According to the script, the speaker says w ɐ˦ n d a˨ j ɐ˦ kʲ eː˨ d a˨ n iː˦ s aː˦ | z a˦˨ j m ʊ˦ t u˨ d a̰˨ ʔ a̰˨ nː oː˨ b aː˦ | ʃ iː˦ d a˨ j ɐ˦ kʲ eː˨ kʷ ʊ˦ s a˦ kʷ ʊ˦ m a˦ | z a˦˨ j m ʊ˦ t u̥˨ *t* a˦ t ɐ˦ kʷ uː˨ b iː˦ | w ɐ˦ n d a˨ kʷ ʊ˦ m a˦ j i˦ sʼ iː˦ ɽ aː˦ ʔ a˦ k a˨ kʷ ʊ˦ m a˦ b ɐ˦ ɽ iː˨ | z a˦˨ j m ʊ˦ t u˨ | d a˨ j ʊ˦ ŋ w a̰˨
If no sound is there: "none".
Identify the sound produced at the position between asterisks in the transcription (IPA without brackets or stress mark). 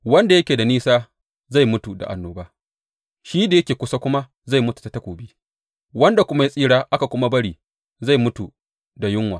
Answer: t